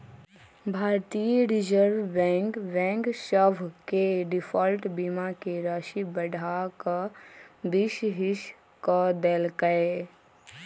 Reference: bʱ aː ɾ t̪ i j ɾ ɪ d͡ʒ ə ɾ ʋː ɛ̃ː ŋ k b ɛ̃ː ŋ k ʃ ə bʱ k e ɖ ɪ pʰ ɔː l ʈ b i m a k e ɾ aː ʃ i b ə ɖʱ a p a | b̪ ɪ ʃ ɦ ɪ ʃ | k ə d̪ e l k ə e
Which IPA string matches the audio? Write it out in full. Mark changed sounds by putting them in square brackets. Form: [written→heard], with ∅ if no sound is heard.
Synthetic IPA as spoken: bʱ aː ɾ t̪ i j ɾ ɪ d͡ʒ ə ɾ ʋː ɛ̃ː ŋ k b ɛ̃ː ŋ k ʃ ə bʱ k e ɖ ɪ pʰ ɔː l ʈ b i m a k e ɾ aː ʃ i b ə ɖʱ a [p→k] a | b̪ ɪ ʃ ɦ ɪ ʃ | k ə d̪ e l k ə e